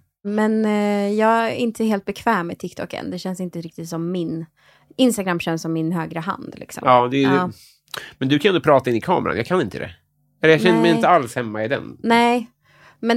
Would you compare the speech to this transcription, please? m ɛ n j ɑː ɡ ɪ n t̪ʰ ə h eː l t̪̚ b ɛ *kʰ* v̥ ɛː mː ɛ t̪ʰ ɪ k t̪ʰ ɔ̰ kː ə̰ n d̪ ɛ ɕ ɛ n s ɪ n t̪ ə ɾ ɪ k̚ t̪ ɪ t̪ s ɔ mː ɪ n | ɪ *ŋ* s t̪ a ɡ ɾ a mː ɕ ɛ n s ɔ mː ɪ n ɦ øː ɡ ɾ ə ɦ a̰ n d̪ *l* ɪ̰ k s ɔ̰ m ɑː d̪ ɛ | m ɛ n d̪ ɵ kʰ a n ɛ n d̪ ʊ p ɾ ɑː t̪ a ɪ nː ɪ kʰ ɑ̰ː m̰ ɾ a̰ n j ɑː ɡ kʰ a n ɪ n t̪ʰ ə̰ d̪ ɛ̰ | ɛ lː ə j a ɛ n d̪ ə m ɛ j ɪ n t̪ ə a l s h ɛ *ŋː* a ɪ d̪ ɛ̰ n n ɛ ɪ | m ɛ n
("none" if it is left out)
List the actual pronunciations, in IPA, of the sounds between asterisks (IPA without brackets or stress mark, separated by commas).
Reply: kʰ, n, l, mː